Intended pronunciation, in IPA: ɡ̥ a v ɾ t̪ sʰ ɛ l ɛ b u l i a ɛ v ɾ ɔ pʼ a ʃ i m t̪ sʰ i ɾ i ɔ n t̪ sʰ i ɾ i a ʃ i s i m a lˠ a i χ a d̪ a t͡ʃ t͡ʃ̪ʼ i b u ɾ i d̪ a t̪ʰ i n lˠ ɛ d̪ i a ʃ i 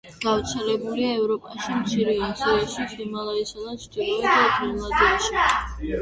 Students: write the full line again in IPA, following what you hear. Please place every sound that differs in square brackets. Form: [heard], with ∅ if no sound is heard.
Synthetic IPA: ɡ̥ a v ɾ t̪ sʰ ɛ l ɛ b u l i a ɛ v ɾ ɔ pʼ a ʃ i m t̪ sʰ i ɾ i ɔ n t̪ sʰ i ɾ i a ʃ i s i m a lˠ a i [s] a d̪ a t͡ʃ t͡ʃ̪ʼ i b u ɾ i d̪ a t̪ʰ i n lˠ [a] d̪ i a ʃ i